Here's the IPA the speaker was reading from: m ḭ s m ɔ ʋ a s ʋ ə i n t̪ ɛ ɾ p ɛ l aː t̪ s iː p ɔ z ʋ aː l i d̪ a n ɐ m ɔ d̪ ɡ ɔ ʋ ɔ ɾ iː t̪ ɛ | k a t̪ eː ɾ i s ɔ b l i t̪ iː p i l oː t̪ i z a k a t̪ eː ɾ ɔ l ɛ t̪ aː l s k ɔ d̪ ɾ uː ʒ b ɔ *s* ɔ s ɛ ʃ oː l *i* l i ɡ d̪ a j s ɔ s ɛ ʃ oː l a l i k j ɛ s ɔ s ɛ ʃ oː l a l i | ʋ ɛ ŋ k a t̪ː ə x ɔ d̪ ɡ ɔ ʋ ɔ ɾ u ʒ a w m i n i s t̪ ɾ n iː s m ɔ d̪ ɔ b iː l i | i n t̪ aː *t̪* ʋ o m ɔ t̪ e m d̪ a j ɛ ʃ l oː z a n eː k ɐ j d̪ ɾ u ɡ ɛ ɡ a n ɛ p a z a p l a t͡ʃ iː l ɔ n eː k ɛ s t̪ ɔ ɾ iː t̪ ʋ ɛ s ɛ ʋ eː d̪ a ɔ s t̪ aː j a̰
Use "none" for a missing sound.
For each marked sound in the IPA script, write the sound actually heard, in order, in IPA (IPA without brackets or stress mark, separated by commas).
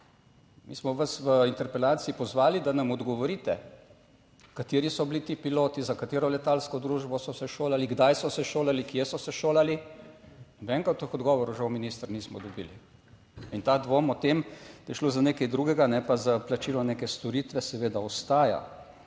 s, a, d̪